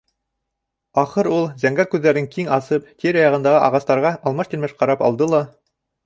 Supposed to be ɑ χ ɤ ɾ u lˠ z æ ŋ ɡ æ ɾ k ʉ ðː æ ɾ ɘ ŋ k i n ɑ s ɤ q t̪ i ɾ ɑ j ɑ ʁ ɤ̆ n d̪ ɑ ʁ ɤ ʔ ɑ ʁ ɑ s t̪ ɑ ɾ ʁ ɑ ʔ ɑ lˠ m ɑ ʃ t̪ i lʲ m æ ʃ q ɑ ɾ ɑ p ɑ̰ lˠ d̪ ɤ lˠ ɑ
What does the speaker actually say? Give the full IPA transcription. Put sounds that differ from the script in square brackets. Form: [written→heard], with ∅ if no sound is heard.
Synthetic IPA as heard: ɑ χ ɤ ɾ u lˠ z æ ŋ ɡ æ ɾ k ʉ ðː æ ɾ ɘ ŋ k i [n→ŋ] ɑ s ɤ [q→p] t̪ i ɾ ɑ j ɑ ʁ ɤ̆ n d̪ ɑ ʁ ɤ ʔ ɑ ʁ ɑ s t̪ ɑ ɾ ʁ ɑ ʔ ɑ lˠ m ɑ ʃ t̪ i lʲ m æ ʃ q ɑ ɾ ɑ p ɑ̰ lˠ d̪ ɤ lˠ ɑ